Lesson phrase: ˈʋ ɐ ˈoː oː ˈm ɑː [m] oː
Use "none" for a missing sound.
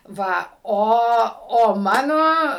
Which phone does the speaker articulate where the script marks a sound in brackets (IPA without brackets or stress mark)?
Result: n